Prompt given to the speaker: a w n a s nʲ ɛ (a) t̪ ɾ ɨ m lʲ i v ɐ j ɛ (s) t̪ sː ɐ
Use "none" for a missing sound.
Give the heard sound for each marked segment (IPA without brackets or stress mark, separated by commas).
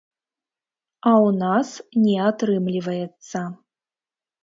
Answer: a, none